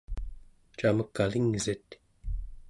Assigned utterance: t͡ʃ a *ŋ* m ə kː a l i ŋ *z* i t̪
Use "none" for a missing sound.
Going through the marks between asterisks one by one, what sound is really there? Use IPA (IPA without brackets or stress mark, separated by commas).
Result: none, z